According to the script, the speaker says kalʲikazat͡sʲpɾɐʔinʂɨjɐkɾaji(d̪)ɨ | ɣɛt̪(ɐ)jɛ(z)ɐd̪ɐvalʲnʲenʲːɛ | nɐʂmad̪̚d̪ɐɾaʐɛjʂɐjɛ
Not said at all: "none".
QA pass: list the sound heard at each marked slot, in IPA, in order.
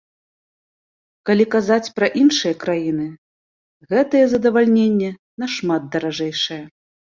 n̪, ɐ, z

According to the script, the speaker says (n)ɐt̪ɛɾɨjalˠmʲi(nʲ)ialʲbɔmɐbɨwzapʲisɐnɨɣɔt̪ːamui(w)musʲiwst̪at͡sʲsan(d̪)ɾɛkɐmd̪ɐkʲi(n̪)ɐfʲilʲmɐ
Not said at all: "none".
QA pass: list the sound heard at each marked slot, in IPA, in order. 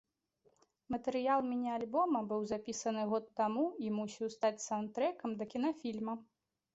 m, nʲ, none, t̪, n̪

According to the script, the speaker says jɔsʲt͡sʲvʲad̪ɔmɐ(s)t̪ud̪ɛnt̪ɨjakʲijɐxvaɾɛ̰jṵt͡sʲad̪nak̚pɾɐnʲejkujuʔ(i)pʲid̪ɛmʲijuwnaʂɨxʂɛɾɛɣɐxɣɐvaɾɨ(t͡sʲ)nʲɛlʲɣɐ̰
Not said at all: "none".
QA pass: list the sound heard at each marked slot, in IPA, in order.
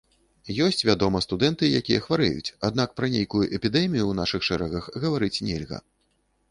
s, ɛ, t͡sʲ

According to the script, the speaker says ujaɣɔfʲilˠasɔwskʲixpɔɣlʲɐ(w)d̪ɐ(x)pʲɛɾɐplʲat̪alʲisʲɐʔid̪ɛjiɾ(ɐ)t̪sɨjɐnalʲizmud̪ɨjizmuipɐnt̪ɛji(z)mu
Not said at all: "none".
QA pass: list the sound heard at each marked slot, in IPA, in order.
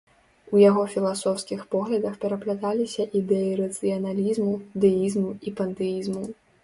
none, x, ɐ, z

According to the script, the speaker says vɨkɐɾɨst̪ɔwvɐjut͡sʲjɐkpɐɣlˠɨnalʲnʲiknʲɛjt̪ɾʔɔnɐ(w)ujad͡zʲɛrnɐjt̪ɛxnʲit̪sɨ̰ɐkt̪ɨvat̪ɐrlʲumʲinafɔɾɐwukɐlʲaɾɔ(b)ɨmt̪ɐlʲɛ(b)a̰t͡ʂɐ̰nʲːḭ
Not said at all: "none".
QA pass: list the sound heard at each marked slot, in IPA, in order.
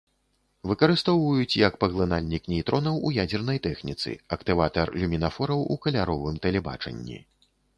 w, v, b

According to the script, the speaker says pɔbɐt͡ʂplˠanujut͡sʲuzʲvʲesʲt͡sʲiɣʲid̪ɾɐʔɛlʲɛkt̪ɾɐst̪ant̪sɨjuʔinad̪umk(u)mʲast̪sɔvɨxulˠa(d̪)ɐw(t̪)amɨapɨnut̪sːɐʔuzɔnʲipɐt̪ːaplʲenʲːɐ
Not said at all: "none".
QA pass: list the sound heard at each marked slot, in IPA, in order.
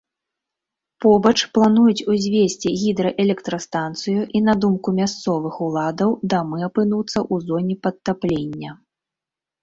u, d̪, d̪

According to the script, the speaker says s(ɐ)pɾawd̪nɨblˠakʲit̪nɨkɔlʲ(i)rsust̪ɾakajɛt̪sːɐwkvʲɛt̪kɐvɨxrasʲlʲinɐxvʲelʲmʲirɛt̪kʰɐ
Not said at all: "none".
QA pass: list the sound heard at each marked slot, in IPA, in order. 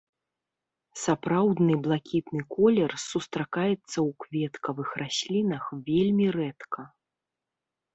a, ɛ

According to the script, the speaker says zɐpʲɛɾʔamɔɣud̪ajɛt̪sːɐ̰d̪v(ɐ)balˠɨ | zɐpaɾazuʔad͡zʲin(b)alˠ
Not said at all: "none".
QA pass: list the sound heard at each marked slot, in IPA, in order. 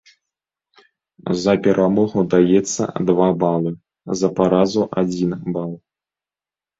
a, b

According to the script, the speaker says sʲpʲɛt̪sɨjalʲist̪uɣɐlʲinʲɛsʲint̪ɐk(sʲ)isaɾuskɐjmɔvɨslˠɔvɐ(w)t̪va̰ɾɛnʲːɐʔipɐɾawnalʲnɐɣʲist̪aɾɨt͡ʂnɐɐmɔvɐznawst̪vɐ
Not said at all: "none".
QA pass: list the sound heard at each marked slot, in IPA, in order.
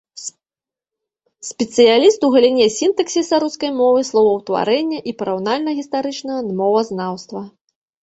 sʲ, w

